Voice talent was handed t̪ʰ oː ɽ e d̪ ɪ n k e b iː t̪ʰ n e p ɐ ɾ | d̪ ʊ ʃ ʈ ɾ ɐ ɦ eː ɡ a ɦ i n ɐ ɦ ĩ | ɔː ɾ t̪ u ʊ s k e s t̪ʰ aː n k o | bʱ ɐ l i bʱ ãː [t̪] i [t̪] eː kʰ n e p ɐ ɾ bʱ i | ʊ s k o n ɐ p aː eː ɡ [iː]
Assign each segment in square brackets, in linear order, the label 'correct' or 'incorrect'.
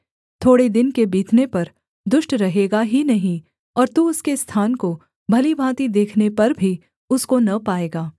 correct, incorrect, incorrect

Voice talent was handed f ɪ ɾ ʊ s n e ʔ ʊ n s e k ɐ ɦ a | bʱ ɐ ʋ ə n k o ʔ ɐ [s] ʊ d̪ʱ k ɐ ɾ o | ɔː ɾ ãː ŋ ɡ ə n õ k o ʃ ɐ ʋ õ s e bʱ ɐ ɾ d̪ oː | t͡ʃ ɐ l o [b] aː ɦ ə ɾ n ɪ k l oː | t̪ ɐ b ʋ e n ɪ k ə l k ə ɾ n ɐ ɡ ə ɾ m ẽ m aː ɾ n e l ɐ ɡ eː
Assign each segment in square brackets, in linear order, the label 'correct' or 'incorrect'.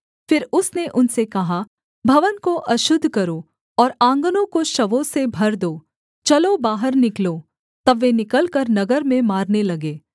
incorrect, correct

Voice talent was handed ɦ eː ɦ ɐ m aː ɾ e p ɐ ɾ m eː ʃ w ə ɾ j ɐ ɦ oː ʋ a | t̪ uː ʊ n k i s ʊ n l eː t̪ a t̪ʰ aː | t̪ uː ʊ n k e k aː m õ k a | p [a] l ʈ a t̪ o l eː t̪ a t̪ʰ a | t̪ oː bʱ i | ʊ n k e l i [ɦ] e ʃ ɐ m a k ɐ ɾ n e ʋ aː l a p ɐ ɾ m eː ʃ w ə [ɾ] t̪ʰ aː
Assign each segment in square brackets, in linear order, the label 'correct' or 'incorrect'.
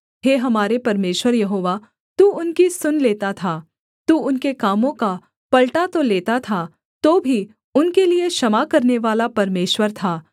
incorrect, incorrect, correct

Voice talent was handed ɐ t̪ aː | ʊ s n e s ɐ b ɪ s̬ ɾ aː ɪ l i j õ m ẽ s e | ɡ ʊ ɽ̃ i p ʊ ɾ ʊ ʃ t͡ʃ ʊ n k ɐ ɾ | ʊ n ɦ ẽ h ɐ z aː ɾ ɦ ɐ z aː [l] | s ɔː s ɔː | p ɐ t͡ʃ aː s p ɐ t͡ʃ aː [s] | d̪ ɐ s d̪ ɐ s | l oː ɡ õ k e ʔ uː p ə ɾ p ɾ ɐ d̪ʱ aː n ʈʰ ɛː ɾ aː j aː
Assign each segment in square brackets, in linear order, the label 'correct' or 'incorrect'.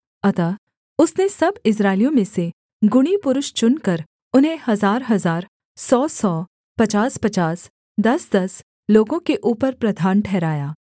incorrect, correct

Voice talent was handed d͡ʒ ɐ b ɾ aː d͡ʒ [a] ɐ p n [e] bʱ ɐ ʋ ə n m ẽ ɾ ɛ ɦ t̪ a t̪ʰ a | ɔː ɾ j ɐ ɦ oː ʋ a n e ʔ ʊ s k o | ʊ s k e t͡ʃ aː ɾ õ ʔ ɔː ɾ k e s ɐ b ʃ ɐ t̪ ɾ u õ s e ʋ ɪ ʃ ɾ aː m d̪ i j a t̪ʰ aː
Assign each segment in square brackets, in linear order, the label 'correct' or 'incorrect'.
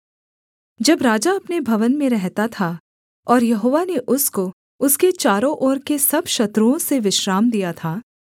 correct, correct

